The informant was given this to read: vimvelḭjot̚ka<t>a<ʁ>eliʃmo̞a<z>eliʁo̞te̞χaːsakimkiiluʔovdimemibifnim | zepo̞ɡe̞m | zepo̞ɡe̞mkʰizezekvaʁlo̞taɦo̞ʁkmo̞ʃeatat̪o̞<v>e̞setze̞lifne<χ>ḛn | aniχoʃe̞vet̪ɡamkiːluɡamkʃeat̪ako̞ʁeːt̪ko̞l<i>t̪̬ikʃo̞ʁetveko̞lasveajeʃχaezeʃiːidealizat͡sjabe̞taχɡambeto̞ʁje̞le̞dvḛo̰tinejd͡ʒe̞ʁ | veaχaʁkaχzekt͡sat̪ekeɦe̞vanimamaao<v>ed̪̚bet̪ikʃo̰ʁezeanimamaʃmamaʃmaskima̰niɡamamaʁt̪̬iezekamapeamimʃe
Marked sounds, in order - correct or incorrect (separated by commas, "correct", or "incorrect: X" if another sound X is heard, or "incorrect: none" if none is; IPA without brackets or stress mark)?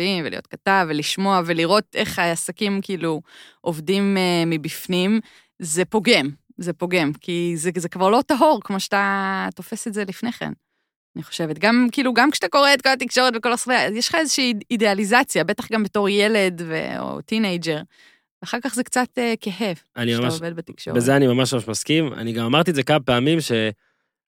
correct, incorrect: v, incorrect: v, incorrect: f, correct, incorrect: a, correct